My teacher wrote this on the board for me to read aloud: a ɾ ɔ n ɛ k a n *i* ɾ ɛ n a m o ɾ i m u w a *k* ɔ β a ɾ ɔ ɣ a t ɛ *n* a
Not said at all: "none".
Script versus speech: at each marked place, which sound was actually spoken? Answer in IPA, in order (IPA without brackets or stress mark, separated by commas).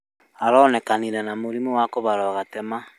i, k, m